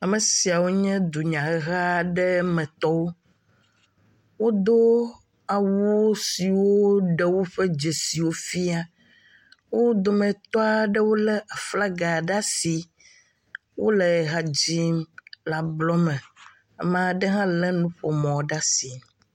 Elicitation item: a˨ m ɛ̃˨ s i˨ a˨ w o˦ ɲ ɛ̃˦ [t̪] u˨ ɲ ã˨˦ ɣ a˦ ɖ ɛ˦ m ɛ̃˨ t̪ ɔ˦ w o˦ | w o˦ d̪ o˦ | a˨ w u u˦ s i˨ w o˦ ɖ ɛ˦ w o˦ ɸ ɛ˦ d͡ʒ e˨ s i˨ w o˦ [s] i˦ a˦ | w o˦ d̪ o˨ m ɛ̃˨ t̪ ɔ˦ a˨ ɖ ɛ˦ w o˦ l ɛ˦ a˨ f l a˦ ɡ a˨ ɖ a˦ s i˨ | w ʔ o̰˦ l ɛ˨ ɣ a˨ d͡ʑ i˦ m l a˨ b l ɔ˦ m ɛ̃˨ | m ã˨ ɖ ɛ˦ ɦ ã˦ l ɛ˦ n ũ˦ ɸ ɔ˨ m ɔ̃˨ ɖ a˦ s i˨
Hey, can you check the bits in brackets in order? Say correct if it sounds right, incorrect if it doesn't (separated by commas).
incorrect, incorrect